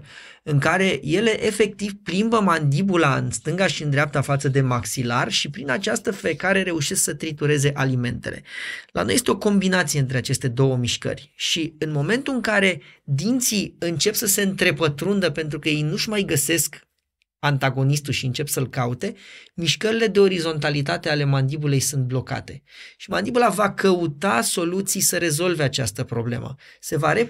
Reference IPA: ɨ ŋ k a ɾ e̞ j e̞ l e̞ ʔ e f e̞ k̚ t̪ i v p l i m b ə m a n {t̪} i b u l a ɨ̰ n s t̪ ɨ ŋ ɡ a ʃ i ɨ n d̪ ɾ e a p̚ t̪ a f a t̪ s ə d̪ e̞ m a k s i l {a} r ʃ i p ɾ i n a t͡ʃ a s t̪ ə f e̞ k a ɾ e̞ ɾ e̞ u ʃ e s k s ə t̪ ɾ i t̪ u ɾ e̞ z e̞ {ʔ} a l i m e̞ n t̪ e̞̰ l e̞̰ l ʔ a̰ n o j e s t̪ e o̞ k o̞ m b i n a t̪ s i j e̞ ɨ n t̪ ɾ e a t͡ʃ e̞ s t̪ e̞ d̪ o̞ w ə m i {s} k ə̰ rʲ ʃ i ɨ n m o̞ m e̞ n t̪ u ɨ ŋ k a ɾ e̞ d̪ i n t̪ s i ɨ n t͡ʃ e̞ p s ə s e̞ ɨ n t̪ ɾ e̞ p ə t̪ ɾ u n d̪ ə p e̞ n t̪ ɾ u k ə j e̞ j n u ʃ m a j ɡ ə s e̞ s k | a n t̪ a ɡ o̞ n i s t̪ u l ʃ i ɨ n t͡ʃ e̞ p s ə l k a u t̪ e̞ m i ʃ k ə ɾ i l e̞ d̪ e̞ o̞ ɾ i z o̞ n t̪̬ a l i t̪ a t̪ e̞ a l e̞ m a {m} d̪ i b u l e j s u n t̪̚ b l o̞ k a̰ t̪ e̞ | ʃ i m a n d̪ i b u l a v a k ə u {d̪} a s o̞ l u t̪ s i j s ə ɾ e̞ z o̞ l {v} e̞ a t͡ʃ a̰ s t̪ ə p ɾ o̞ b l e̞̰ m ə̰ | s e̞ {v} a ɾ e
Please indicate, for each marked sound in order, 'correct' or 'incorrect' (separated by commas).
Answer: incorrect, correct, correct, incorrect, incorrect, incorrect, correct, correct